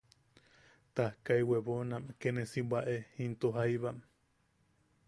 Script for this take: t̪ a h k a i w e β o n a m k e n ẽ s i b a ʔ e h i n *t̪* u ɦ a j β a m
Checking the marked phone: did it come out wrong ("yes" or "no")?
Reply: no